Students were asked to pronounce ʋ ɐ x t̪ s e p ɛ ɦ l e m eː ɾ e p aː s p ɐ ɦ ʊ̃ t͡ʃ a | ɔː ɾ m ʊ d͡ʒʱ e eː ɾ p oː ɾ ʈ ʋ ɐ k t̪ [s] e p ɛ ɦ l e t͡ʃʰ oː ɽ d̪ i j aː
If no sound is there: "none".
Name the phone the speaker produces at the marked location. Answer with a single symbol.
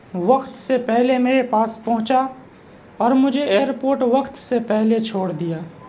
s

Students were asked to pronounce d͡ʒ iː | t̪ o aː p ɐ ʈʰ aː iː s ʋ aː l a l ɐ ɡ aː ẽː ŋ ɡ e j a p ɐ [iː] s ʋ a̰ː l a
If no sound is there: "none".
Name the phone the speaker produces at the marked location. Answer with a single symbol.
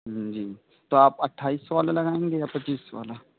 iː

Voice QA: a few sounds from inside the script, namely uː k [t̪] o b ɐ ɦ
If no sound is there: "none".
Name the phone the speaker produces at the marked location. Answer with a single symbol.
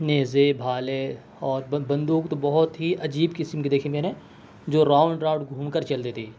t̪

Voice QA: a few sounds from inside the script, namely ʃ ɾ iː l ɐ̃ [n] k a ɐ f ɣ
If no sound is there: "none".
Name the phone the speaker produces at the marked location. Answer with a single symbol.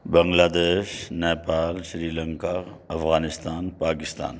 ŋ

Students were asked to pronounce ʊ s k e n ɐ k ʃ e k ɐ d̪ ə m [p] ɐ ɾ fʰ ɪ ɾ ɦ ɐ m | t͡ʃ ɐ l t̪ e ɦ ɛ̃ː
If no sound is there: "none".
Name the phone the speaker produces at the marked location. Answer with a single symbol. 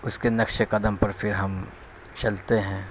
p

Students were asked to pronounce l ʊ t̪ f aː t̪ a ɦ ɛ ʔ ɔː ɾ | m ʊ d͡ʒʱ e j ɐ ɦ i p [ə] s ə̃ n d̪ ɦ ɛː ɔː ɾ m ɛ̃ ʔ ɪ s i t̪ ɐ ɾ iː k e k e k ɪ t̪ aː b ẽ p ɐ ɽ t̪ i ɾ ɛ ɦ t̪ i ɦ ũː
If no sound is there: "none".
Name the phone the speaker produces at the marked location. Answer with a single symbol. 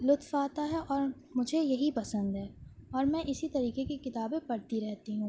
ɐ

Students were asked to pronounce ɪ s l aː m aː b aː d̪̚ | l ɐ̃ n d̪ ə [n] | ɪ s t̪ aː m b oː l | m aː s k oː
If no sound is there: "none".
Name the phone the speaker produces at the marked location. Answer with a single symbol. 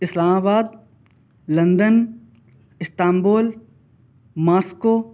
n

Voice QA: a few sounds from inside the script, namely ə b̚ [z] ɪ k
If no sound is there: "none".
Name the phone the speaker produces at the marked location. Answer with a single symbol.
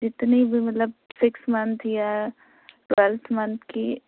s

